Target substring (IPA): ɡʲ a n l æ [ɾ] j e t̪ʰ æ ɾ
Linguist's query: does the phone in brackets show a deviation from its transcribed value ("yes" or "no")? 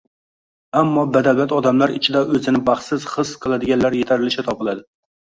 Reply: no